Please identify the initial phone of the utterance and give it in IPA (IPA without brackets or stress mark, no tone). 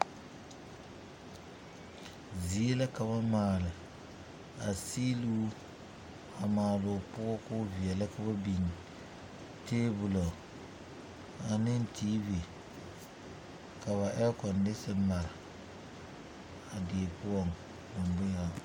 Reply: z